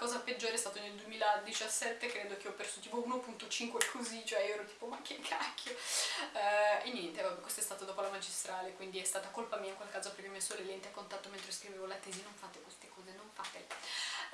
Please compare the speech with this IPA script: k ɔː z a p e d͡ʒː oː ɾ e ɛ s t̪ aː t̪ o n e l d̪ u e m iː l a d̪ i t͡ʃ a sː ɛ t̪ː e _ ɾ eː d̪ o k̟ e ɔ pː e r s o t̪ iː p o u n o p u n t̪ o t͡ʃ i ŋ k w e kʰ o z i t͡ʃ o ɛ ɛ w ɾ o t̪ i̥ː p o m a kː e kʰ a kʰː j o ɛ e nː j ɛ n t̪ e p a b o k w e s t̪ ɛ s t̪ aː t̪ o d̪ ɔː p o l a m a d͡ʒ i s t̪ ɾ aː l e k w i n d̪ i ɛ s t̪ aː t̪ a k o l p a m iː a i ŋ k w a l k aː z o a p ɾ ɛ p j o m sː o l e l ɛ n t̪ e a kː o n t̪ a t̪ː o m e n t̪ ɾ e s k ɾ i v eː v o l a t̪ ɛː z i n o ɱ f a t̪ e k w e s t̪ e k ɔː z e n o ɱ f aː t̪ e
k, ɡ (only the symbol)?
k